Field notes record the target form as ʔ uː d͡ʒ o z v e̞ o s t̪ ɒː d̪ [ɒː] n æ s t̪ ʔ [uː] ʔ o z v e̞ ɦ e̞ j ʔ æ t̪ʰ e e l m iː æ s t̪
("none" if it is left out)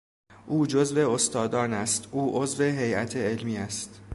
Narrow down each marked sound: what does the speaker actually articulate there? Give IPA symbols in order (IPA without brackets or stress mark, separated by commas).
ɒː, uː